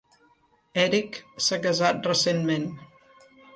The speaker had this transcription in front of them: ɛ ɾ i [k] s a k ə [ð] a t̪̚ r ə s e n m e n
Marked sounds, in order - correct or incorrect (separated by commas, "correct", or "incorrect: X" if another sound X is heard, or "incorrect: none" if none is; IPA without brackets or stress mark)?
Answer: correct, incorrect: z